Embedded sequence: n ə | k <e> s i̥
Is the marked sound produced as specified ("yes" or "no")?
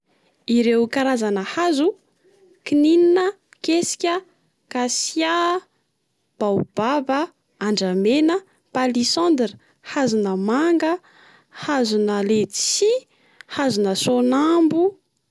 yes